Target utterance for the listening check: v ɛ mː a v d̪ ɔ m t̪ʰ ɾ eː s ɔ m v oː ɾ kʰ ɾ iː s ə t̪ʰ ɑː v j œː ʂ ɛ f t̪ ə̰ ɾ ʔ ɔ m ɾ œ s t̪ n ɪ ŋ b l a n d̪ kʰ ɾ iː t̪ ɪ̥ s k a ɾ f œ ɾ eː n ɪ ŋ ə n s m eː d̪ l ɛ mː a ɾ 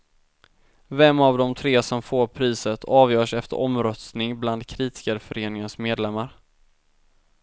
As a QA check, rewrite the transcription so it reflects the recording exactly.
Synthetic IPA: v ɛ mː a v d̪ ɔ m t̪ʰ ɾ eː s ɔ m f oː ɾ pʰ ɾ iː s ə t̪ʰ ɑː v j œː ʂ ɛ f t̪ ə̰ ɾ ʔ ɔ m ɾ œ s t̪ n ɪ ŋ b l a n d̪ kʰ ɾ iː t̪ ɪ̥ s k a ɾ f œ ɾ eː n ɪ ŋ ə n s m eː d̪ l ɛ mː a ɾ